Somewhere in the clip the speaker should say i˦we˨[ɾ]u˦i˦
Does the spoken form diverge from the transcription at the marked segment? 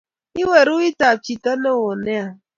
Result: no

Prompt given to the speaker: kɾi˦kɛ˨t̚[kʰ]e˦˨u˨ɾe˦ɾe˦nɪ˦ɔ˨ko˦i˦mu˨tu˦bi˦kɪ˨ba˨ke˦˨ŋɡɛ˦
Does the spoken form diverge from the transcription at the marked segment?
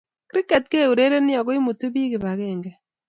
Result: yes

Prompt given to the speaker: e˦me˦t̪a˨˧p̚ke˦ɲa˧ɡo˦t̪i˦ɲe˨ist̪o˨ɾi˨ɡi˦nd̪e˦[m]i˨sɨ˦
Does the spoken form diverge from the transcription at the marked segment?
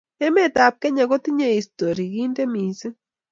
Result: no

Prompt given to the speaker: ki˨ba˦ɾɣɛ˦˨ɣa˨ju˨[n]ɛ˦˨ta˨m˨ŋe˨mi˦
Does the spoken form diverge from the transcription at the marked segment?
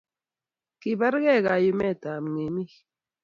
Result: yes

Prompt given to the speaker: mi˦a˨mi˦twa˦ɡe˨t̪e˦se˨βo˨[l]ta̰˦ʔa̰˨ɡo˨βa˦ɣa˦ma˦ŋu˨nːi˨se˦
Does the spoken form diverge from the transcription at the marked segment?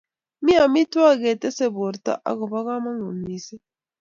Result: yes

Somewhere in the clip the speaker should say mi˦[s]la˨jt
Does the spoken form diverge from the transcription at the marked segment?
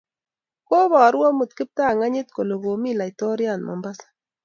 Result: yes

